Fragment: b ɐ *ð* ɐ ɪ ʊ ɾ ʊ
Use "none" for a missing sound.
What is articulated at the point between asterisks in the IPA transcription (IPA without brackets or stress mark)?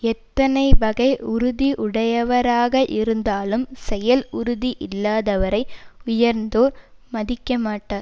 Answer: ɣ